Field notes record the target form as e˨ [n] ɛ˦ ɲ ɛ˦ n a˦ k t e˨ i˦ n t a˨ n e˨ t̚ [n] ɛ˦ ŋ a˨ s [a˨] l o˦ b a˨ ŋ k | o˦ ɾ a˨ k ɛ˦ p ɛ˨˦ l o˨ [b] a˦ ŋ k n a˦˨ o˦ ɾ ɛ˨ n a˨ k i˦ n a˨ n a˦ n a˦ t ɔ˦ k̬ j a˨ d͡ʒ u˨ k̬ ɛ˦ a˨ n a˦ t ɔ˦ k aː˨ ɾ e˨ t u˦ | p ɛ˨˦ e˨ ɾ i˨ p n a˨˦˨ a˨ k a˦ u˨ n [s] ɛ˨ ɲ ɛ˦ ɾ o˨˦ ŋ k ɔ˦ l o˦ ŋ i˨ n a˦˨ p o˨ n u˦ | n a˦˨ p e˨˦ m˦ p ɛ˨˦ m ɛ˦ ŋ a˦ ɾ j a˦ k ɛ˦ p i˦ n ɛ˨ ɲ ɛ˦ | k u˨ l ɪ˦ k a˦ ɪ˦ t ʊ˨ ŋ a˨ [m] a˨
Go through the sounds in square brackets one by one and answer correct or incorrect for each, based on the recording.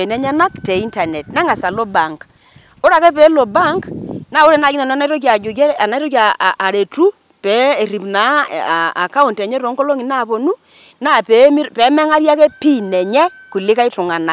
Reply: correct, correct, correct, correct, incorrect: t, incorrect: n

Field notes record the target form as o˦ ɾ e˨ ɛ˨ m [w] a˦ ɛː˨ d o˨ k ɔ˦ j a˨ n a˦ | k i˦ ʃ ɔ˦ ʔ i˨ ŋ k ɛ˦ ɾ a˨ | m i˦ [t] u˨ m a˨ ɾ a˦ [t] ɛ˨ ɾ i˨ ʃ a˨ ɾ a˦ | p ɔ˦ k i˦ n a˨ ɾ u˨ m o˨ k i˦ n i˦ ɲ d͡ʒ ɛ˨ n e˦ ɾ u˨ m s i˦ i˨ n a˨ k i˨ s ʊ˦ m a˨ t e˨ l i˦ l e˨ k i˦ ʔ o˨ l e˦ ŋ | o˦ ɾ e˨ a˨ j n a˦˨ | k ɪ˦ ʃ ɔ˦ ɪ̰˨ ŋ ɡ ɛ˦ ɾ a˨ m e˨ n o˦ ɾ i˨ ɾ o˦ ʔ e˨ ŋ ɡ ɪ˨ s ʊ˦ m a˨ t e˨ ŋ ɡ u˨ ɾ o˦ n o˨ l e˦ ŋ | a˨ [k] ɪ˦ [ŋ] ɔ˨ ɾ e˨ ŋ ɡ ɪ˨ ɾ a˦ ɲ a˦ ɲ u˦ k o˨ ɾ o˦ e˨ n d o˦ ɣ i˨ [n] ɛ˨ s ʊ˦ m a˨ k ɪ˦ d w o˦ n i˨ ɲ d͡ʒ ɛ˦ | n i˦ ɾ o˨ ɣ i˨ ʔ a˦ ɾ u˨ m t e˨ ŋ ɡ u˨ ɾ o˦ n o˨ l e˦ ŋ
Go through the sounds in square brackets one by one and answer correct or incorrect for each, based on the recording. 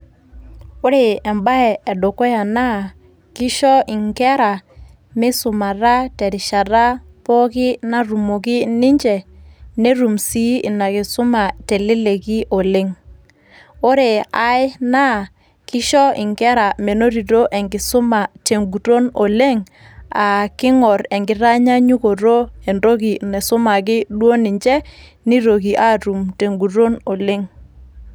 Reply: incorrect: b, incorrect: s, correct, correct, correct, correct

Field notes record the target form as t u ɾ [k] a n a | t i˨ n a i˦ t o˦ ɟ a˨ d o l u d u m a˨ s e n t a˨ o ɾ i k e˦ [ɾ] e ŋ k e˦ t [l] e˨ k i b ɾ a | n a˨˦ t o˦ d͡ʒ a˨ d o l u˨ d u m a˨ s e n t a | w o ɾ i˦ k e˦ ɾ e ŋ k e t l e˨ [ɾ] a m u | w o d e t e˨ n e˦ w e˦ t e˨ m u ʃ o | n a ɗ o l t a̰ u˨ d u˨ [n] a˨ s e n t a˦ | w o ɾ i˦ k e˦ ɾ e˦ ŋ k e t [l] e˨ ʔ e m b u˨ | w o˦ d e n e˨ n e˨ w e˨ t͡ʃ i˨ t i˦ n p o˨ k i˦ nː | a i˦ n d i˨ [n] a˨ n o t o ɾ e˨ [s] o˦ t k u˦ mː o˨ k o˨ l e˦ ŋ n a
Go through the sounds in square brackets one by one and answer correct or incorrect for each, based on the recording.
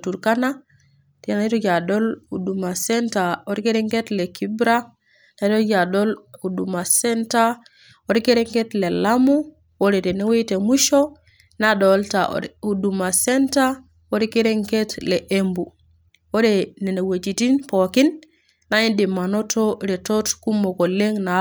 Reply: correct, correct, correct, incorrect: l, incorrect: m, correct, incorrect: m, incorrect: t

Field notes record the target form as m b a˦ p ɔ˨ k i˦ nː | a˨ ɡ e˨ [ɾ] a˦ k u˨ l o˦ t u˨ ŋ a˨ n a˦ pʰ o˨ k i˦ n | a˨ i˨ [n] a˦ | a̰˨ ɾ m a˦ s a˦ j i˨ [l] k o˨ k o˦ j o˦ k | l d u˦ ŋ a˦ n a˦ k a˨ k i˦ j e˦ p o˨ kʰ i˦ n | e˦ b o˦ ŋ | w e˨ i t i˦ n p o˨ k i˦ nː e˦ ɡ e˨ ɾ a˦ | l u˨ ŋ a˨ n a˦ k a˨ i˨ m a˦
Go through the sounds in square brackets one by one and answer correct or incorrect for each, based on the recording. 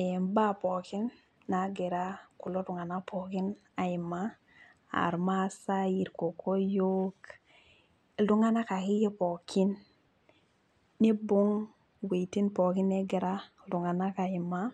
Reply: correct, incorrect: m, incorrect: ɾ

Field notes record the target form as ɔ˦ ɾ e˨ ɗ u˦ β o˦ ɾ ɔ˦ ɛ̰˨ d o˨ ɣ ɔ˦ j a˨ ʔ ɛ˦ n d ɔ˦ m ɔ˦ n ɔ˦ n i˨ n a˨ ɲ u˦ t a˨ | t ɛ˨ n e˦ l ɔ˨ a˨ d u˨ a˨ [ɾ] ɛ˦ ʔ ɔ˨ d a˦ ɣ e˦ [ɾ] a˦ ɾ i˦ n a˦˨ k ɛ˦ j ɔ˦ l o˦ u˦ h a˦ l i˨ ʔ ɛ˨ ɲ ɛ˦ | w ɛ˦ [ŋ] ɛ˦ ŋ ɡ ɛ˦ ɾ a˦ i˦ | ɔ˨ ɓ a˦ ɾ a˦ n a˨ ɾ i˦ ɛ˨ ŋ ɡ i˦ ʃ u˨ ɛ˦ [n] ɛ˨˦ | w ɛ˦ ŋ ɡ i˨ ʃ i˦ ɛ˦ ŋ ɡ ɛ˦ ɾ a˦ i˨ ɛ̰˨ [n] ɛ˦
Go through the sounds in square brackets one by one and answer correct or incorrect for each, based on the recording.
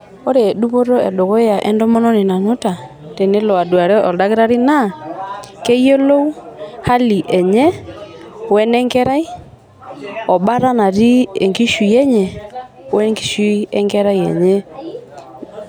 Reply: correct, correct, incorrect: n, incorrect: ɲ, incorrect: ɲ

